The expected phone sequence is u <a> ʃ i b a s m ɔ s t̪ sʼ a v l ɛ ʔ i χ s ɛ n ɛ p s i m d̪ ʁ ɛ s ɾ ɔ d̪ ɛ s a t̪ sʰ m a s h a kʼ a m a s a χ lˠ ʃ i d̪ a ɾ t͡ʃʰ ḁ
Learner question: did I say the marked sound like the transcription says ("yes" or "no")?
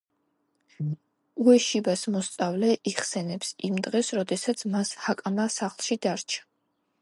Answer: no